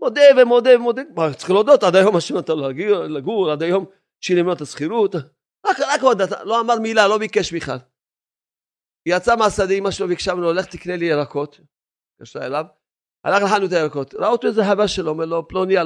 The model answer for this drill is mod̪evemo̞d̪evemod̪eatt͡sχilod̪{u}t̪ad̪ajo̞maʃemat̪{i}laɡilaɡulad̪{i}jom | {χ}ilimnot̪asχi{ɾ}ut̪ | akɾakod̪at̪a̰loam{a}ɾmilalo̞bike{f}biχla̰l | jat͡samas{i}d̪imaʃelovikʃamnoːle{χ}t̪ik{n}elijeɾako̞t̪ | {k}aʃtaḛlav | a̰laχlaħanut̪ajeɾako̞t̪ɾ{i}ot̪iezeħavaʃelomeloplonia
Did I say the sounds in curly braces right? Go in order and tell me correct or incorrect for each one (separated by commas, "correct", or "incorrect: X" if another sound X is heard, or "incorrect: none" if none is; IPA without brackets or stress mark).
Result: incorrect: o, incorrect: a, incorrect: a, incorrect: ʃ, correct, correct, incorrect: ʃ, incorrect: a, correct, correct, correct, incorrect: a